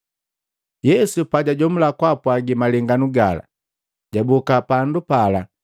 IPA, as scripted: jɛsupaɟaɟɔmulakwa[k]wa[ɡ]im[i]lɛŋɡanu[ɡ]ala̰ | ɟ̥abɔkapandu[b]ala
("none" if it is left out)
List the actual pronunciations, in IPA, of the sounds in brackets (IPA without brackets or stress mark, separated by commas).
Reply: p, ɡ, a, ɡ, p